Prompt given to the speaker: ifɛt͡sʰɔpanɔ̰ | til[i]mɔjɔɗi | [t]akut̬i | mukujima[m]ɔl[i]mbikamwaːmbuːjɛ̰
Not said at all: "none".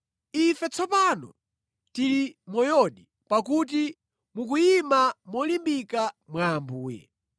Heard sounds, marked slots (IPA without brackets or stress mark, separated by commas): i, p, m, i